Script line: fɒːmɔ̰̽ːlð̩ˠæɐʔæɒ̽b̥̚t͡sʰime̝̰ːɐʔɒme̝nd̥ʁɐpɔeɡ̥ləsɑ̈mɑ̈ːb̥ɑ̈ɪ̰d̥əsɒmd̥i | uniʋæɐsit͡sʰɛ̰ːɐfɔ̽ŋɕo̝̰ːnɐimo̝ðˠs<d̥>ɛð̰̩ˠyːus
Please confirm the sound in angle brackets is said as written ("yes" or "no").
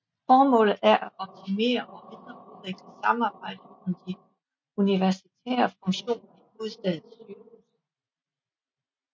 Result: yes